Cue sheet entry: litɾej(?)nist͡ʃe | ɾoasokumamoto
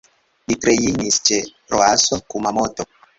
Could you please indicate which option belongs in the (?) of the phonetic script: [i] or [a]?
i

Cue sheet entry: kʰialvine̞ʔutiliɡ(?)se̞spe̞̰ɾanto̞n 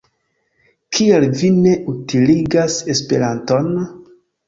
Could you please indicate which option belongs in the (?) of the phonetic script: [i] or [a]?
a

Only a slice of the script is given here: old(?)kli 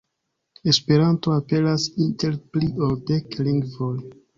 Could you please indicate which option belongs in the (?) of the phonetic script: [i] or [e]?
e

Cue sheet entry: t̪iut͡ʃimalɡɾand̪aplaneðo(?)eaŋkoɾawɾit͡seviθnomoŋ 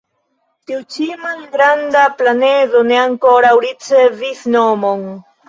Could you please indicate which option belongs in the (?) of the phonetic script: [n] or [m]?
n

